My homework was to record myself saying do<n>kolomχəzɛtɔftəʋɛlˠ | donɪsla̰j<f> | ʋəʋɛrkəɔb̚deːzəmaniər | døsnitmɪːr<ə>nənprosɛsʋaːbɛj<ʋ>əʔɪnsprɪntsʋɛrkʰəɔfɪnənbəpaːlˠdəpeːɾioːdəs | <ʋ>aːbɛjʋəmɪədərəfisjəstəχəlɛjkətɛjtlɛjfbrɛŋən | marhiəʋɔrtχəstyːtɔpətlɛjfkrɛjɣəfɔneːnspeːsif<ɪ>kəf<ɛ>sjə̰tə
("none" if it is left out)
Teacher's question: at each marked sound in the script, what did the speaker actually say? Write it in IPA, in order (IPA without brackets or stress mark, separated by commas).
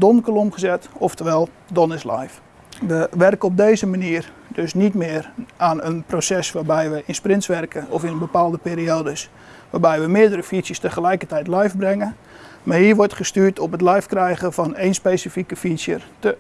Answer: n, f, a, ʋ, ʋ, i, i